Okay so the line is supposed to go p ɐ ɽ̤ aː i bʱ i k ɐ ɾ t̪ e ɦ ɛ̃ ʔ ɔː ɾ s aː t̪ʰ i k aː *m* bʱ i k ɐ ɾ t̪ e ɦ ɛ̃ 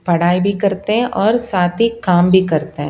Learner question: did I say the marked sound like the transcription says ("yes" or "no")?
yes